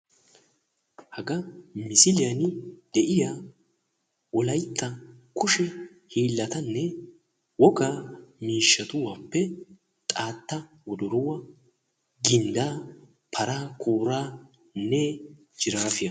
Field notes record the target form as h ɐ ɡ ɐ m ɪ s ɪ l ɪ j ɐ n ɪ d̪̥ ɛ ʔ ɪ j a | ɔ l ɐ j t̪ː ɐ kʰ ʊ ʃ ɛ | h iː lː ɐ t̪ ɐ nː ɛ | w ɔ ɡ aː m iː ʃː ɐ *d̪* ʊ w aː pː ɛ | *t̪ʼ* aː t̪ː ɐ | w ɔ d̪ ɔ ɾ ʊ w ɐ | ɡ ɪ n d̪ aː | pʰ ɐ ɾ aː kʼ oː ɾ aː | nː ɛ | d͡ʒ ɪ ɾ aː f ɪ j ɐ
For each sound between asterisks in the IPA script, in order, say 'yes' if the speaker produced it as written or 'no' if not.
no, yes

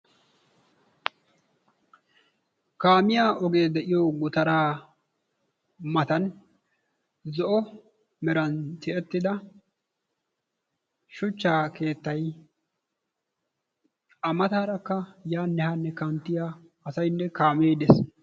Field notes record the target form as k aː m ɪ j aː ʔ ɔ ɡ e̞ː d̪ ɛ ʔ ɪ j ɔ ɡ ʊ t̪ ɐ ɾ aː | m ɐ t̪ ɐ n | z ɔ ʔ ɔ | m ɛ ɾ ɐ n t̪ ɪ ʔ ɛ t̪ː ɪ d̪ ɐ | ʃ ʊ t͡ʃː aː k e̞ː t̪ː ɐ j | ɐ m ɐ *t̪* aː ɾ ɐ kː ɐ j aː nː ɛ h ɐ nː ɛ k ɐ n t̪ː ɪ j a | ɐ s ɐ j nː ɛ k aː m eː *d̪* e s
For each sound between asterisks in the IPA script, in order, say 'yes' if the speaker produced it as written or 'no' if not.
yes, yes

